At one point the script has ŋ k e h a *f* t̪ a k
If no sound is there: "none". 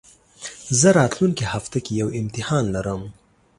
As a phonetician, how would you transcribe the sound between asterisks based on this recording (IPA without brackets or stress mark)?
f